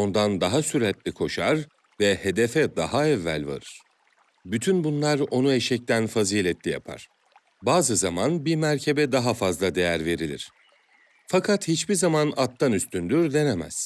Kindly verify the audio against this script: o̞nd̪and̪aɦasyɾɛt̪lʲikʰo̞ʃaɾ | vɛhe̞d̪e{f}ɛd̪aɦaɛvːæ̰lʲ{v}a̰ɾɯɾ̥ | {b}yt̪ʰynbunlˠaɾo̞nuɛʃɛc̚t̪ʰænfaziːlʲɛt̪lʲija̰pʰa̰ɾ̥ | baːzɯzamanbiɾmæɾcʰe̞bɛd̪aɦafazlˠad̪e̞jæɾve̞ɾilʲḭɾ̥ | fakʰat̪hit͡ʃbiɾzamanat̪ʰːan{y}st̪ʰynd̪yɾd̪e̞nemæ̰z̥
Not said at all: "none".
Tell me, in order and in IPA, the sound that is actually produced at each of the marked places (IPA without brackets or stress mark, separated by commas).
f, v, b, y